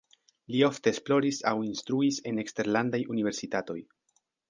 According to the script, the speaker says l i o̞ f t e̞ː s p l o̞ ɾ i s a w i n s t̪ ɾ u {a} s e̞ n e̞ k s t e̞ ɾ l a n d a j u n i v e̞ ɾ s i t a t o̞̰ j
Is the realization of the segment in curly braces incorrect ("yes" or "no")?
yes